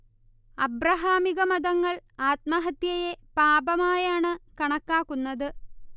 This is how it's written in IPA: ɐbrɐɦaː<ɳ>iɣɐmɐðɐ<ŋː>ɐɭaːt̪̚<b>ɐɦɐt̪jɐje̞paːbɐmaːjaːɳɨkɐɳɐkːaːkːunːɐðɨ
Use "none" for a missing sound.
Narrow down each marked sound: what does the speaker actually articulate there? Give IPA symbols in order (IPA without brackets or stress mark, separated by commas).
m, ŋː, m